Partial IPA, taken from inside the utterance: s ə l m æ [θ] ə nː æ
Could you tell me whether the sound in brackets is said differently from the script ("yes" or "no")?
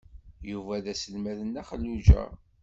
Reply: yes